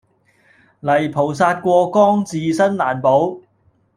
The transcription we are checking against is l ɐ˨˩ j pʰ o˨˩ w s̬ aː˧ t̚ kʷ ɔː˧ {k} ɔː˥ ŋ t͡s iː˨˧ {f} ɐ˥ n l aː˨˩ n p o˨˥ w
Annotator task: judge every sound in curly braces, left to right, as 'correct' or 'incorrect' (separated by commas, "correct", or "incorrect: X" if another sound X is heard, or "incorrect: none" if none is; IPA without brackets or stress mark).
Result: correct, incorrect: s